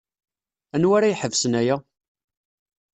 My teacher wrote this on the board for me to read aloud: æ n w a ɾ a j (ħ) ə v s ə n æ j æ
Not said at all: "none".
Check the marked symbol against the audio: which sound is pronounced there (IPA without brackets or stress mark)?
ħ